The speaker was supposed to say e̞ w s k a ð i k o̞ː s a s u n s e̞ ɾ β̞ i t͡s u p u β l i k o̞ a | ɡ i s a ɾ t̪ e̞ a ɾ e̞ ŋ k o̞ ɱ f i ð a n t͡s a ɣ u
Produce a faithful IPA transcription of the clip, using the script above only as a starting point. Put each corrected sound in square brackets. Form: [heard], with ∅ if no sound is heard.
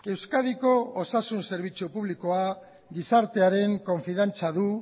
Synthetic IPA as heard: e̞ w s k a ð i k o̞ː s a s u n s e̞ ɾ β̞ i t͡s u p u β l i k o̞ a | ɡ i s a ɾ t̪ e̞ a ɾ e̞ ŋ k o̞ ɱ f i ð a n t͡s a [ð] u

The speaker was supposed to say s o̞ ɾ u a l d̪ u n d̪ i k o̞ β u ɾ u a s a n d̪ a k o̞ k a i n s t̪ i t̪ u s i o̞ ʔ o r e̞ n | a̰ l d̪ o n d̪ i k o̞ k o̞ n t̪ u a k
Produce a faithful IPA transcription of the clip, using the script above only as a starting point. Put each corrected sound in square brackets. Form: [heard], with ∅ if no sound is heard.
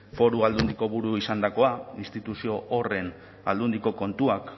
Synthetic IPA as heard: [f] o̞ ɾ u a l d̪ u n d̪ i k o̞ β u ɾ u [i] s a n d̪ a k o̞ [∅] a i n s t̪ i t̪ u s i o̞ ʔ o r e̞ n | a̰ l d̪ [u] n d̪ i k o̞ k o̞ n t̪ u a k

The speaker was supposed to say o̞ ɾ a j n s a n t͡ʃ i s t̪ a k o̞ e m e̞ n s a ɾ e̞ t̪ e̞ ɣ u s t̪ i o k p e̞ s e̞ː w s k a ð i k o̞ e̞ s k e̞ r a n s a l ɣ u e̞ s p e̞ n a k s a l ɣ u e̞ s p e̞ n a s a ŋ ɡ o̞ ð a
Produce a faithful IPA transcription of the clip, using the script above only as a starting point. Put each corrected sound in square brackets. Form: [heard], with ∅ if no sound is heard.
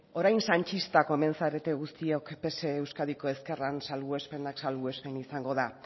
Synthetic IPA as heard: o̞ ɾ a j n s a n t͡ʃ i s t̪ a k o̞ e m e̞ n s a ɾ e̞ t̪ e̞ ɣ u s t̪ i o k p e̞ s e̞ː w s k a ð i k o̞ e̞ s k e̞ r a n s a l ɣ u e̞ s p e̞ n a k s a l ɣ u e̞ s p e̞ n [i] s a ŋ ɡ o̞ ð a

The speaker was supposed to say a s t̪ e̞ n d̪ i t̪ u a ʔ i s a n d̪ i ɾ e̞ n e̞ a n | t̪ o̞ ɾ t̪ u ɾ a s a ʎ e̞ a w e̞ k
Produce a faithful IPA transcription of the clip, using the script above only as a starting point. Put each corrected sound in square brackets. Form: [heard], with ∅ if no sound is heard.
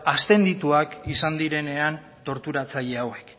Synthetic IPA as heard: a s t̪ e̞ n d̪ i t̪ u a [k] i s a n d̪ i ɾ e̞ n e̞ a n | t̪ o̞ ɾ t̪ u ɾ a [t͡s] a ʎ e̞ a w e̞ k

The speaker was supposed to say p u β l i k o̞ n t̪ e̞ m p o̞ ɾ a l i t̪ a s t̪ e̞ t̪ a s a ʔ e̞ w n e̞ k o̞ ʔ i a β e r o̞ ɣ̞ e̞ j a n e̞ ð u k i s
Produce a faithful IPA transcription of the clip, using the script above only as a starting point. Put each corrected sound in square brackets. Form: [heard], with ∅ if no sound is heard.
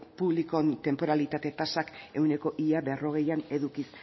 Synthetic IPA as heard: p u β l i k o̞ n t̪ e̞ m p o̞ ɾ a l i t̪ a [∅] t̪ e̞ t̪ a s a [k] e̞ w n e̞ k o̞ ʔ i a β e r o̞ ɣ̞ e̞ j a n e̞ ð u k i s

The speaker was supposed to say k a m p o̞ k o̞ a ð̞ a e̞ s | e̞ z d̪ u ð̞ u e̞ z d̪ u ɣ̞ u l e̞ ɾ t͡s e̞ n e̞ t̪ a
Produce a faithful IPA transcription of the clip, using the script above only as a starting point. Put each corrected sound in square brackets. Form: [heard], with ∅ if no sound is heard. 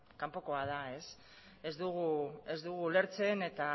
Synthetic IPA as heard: k a m p o̞ k o̞ a ð̞ a e̞ s | e̞ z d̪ u [ɣ̞] u e̞ z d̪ u ɣ̞ u l e̞ ɾ t͡s e̞ n e̞ t̪ a

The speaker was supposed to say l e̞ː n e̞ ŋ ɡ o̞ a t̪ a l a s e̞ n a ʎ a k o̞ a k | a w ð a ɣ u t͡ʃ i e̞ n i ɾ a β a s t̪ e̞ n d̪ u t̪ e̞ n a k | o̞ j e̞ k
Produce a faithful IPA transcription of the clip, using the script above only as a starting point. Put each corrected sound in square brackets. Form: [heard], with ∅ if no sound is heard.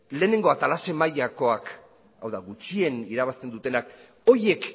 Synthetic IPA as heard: l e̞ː n e̞ ŋ ɡ o̞ a t̪ a l a s e̞ [m] a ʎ a k o̞ a k | a w ð a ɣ u t͡ʃ i e̞ n i ɾ a β a s t̪ e̞ n d̪ u t̪ e̞ n a k | o̞ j e̞ k

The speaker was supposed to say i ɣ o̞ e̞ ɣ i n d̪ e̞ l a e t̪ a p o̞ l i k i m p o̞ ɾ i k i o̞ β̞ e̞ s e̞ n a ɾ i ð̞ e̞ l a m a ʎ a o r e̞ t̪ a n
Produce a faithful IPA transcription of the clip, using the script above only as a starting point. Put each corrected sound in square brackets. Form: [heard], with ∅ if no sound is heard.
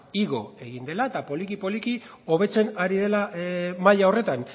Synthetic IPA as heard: i ɣ o̞ e̞ ɣ i n d̪ e̞ l a e t̪ a p o̞ l i k i [∅] p o̞ [l] i k i o̞ β̞ e̞ [t͡s] e̞ n a ɾ i ð̞ e̞ l a m a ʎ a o r e̞ t̪ a n

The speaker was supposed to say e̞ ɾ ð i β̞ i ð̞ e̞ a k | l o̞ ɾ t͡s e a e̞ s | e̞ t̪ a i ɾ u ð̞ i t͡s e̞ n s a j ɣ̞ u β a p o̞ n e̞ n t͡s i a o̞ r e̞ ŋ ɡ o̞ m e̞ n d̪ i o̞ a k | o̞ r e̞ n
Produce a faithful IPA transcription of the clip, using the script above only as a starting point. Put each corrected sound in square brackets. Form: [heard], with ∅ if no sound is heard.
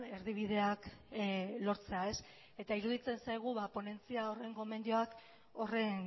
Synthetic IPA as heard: e̞ ɾ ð i β̞ i ð̞ e̞ a k | l o̞ ɾ t͡s e a e̞ s | e̞ t̪ a i ɾ u ð̞ i t͡s e̞ n s a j ɣ̞ u β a p o̞ n e̞ n t͡s i a o̞ r e̞ ŋ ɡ o̞ m e̞ n d̪ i o̞ a k | o̞ r e̞ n

